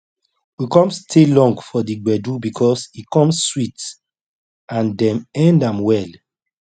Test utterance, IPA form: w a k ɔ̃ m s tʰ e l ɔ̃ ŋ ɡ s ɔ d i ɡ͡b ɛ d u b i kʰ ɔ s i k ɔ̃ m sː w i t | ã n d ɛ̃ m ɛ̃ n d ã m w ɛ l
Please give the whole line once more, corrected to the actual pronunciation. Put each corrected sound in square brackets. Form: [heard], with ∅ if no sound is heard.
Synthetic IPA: w [i] k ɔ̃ m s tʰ e l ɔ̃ ŋ ɡ [f] ɔ d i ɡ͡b ɛ d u b i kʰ ɔ s i k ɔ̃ m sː w i t | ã n d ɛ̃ m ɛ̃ n d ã m w ɛ l